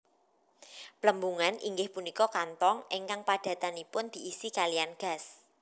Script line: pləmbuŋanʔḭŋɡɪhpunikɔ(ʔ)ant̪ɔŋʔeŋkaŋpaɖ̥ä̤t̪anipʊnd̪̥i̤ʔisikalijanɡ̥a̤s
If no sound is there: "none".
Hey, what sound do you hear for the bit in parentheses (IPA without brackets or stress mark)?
k